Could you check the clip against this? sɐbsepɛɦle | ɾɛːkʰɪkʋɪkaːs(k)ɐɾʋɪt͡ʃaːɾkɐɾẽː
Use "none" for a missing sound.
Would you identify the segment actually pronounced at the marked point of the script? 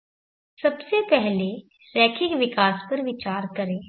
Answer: p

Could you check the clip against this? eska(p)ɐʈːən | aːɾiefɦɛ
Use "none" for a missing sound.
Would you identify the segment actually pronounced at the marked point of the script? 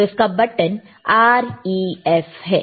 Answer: b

